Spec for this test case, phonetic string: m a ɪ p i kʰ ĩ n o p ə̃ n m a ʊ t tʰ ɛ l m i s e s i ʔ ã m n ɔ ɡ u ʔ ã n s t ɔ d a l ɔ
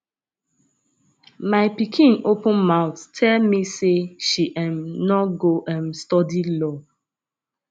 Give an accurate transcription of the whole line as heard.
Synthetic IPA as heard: m a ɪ p i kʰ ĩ n o p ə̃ n m a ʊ t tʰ ɛ l m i s e ʃ i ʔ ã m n ɔ ɡ o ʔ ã n s t ɔ d i l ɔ